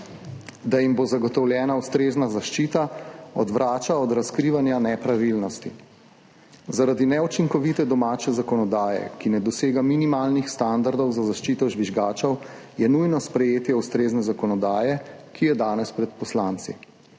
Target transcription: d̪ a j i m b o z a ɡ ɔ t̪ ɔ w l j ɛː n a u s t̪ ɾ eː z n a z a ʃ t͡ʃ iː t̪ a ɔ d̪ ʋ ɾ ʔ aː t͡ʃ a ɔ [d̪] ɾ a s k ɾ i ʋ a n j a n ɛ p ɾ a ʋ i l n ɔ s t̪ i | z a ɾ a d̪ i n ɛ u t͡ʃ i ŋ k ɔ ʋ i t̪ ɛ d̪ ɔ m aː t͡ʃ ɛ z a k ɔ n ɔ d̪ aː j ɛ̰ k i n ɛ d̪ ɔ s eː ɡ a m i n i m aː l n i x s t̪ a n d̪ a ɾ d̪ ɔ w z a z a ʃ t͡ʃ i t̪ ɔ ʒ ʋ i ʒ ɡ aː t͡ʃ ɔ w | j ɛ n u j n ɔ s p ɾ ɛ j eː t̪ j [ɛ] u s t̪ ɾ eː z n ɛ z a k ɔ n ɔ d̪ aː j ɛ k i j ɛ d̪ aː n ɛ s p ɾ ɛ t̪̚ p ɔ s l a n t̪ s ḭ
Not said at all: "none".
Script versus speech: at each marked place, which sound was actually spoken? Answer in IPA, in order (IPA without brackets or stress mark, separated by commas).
d̪, ɛ